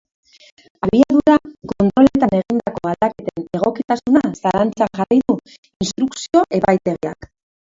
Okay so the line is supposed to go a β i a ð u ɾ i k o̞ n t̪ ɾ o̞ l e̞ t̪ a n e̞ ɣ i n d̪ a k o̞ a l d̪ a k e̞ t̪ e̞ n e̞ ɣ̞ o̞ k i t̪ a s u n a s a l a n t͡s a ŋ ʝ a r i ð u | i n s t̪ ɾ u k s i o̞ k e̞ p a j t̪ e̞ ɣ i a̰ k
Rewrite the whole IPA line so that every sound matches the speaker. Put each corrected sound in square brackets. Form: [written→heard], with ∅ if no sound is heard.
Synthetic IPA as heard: a β i a ð u ɾ [i→a] k o̞ n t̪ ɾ o̞ l e̞ t̪ a n e̞ ɣ i n d̪ a k o̞ a l d̪ a k e̞ t̪ e̞ n e̞ ɣ̞ o̞ k i t̪ a s u n a s a l a n t͡s a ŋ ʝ a r i ð u | i n s t̪ ɾ u k s i o̞ [k→ʔ] e̞ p a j t̪ e̞ ɣ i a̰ k